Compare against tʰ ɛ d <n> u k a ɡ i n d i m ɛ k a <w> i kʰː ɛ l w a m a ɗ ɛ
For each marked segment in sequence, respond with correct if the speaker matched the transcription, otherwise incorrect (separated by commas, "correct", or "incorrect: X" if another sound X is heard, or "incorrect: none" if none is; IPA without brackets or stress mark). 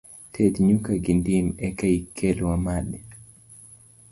incorrect: ɲ, incorrect: none